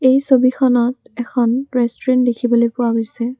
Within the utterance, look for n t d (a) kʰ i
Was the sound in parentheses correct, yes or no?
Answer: no